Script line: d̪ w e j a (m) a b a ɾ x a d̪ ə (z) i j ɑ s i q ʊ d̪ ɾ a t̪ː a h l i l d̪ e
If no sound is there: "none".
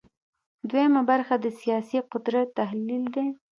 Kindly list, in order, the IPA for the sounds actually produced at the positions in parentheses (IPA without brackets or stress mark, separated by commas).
m, s